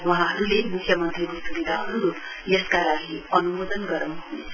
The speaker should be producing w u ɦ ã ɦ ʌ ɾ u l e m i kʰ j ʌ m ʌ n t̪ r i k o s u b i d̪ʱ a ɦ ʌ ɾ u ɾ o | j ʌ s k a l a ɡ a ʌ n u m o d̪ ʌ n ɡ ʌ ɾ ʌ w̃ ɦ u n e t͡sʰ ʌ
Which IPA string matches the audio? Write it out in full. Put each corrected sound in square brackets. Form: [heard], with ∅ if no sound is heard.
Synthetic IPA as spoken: w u ɦ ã ɦ ʌ ɾ u l e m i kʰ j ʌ m ʌ n t̪ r i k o s u b i d̪ʱ a ɦ ʌ ɾ u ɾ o | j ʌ s k a l a ɡ [i] ʌ n u m o d̪ ʌ n ɡ ʌ ɾ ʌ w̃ ɦ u n e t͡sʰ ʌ